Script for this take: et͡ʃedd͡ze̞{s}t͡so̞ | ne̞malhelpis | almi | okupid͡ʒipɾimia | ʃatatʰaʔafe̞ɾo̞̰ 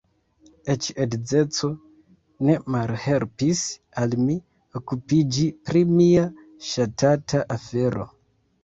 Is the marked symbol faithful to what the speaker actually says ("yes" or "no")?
no